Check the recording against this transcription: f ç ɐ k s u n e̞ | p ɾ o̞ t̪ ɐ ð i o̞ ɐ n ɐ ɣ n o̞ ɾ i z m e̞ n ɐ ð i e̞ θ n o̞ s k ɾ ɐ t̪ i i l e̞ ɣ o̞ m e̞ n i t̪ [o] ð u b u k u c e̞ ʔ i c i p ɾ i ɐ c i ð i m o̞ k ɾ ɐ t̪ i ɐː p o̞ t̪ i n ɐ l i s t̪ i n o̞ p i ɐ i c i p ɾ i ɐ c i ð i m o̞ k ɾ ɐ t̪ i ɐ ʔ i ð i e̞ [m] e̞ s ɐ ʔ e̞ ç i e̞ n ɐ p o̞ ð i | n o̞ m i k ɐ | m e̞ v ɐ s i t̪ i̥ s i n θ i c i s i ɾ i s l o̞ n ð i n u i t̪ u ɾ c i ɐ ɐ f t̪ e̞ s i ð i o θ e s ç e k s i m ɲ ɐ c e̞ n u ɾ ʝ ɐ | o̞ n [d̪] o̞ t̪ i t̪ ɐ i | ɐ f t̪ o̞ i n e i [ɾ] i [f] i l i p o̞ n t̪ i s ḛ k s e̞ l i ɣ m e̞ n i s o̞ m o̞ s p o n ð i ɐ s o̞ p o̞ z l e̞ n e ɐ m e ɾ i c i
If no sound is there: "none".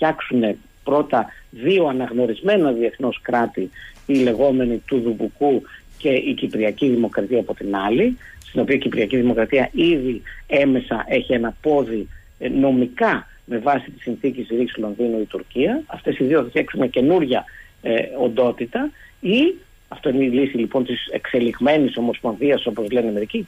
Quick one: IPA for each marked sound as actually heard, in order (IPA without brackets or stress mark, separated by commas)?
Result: u, m, d̪, l, s